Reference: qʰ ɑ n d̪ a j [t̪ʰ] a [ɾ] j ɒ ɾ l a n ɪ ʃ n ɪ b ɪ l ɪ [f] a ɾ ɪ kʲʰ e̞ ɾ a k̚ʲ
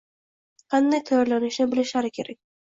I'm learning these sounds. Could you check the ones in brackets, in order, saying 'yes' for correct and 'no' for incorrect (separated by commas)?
yes, no, no